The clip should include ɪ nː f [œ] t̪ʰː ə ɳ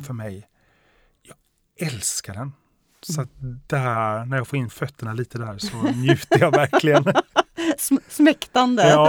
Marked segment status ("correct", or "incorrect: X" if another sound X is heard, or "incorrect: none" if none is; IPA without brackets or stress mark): correct